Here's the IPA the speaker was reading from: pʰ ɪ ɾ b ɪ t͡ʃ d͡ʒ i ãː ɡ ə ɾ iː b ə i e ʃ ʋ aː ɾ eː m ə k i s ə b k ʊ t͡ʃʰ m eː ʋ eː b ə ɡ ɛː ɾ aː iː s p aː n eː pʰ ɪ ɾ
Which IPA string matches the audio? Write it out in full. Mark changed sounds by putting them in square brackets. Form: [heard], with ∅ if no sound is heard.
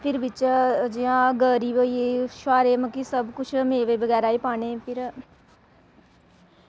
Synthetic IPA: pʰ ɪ ɾ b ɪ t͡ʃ d͡ʒ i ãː ɡ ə ɾ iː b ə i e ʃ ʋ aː ɾ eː m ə k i s ə b k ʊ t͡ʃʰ m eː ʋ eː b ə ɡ ɛː ɾ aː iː [∅] p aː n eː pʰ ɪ ɾ